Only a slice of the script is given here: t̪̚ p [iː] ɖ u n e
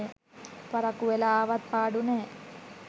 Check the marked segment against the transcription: incorrect: aː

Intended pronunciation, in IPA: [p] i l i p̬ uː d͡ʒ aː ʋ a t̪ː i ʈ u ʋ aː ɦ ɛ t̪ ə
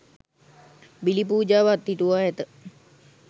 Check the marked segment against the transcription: incorrect: b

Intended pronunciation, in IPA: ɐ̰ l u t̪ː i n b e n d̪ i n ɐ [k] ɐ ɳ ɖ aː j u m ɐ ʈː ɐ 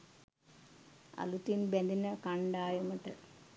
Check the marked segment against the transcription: correct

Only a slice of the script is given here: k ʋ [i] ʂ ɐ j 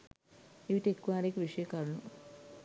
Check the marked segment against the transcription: correct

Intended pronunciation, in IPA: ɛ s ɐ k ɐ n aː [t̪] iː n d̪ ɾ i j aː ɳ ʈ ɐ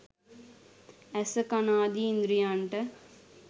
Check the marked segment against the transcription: incorrect: d̪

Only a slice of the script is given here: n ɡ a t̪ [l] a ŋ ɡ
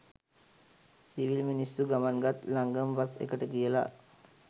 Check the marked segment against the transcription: correct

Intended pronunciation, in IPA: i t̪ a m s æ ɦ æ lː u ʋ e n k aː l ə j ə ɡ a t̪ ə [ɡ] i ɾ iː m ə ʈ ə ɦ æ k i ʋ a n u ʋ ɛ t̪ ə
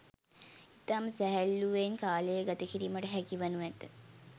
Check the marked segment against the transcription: incorrect: k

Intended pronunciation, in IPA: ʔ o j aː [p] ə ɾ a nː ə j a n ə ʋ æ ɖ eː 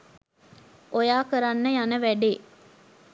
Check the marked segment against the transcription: incorrect: k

